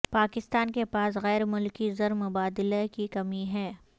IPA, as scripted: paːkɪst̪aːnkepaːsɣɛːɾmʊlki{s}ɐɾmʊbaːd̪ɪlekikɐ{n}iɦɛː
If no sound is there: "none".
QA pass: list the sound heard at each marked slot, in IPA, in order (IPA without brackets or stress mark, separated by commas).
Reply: z, m